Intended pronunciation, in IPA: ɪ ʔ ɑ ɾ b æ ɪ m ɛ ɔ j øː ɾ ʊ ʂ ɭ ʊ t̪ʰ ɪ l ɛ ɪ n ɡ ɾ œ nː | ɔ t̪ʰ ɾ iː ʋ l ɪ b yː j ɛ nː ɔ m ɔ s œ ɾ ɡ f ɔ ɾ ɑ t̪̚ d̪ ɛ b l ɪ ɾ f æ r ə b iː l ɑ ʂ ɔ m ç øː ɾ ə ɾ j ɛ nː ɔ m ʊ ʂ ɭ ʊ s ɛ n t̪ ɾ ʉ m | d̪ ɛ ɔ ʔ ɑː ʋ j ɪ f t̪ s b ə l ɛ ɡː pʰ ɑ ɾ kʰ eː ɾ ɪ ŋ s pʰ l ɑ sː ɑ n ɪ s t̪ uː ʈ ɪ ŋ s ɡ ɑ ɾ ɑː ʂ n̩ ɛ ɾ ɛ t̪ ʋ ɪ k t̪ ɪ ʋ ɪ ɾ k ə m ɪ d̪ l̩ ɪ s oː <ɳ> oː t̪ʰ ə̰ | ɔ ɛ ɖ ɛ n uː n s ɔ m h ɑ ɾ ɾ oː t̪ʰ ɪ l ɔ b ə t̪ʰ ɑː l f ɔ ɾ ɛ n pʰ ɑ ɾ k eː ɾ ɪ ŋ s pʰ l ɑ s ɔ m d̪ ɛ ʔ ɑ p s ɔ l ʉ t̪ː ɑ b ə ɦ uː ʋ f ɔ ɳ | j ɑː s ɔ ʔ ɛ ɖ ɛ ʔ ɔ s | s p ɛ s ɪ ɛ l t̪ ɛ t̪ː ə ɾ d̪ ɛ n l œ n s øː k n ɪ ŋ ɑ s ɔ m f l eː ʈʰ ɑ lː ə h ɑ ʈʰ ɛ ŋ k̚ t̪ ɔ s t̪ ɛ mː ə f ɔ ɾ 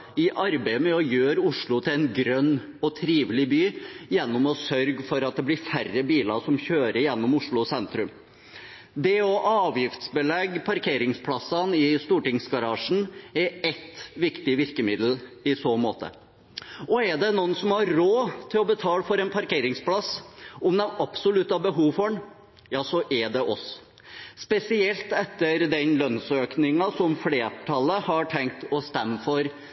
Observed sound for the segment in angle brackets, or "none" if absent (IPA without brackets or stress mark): m